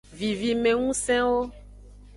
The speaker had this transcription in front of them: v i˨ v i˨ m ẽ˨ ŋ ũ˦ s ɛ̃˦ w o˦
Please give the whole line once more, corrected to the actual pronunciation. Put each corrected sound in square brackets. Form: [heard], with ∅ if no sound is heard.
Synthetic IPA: v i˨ v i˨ m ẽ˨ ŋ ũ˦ s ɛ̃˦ w o˦